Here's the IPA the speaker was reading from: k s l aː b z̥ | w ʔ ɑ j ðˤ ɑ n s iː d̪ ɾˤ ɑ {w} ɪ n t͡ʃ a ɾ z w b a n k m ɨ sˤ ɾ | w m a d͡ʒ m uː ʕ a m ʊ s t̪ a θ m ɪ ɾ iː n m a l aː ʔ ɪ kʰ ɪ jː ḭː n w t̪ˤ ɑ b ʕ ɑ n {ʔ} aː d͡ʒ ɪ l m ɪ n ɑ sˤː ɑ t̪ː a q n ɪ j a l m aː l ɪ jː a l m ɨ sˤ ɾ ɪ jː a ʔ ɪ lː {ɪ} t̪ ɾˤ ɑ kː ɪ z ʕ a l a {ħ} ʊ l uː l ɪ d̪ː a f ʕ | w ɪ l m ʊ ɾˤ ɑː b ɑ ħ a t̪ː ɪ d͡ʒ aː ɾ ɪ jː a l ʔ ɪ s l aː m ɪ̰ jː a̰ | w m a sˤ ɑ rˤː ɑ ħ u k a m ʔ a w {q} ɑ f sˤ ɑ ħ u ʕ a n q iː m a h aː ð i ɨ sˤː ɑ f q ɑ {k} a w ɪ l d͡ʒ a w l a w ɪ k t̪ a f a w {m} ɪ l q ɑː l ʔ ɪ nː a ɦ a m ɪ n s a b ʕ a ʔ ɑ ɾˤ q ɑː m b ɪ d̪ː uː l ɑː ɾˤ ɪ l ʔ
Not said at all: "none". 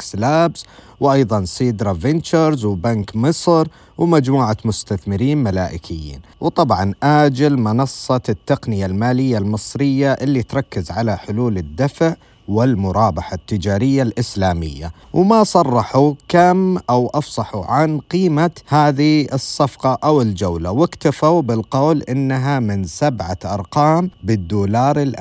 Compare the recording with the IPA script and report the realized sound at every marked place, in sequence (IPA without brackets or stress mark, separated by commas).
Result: v, ʔ, i, ħ, ʔ, ʔ, b